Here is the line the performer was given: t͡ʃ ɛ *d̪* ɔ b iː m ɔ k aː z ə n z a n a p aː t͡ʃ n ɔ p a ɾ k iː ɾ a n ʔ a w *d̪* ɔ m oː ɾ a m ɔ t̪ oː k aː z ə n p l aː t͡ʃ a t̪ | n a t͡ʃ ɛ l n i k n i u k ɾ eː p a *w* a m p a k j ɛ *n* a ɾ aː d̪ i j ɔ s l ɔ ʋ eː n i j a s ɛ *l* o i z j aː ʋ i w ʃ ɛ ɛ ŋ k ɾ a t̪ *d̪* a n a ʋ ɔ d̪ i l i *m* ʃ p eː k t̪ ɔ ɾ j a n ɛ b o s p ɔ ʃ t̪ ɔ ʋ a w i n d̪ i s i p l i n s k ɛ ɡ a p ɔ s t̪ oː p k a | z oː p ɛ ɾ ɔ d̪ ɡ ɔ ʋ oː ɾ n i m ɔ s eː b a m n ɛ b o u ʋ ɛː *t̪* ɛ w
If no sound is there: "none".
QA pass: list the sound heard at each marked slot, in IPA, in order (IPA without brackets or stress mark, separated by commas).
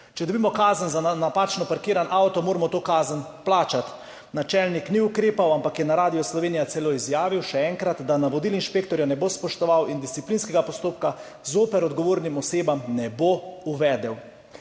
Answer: d̪, t̪, w, n, l, d̪, n, d̪